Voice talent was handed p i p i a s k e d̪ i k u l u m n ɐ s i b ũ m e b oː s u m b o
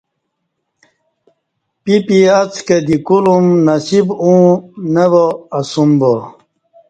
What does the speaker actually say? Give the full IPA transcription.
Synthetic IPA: p i p i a t͡s k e d̪ i k u l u m n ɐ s i b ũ n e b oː s u m b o